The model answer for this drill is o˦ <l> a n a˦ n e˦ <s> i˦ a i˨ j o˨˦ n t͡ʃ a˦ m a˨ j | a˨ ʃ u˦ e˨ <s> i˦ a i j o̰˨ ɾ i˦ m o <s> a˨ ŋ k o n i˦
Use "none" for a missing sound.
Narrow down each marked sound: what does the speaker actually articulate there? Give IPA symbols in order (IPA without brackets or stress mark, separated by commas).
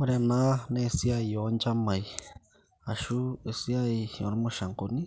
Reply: ɾ, s, s, ʃ